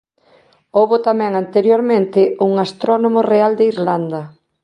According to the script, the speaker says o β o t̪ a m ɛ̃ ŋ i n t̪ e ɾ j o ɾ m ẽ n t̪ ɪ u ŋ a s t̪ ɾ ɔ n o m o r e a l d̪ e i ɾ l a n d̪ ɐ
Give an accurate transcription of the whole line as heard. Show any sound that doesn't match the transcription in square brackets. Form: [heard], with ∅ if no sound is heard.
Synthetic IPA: o β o t̪ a m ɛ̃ ŋ [a] n t̪ e ɾ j o ɾ m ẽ n t̪ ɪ u ŋ a s t̪ ɾ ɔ n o m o r e a l d̪ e i ɾ l a n d̪ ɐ